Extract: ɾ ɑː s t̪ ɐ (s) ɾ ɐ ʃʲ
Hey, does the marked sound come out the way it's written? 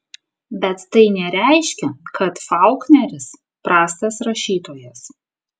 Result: yes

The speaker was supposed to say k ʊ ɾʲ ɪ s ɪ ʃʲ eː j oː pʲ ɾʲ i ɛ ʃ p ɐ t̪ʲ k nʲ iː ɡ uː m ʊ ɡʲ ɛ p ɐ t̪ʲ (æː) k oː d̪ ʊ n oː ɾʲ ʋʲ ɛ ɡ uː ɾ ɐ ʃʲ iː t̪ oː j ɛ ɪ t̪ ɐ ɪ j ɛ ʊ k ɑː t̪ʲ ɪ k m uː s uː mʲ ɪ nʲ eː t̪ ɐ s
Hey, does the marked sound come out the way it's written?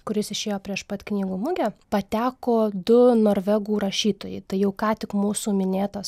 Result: yes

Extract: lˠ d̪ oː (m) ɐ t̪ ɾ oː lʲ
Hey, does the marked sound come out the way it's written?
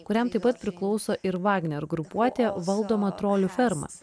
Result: yes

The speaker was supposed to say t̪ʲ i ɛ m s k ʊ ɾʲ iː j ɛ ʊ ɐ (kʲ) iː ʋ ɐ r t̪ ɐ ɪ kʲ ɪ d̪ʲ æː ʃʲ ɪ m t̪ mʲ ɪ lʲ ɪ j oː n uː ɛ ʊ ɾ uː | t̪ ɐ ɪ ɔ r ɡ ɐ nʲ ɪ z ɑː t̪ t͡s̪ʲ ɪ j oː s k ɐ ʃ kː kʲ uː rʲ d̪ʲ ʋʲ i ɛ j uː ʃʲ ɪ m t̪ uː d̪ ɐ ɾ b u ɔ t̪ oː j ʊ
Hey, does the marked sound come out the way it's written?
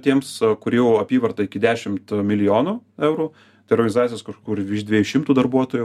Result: no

